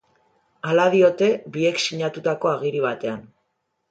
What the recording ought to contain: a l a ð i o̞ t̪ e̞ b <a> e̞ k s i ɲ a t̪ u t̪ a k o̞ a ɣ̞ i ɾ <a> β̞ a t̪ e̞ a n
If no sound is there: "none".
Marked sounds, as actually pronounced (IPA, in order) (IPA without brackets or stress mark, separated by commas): i, i